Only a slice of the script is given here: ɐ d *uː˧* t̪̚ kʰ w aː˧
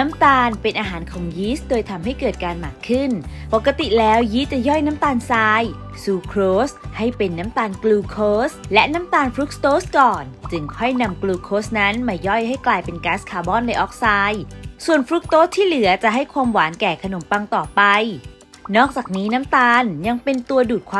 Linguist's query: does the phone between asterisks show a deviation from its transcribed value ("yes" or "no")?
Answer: yes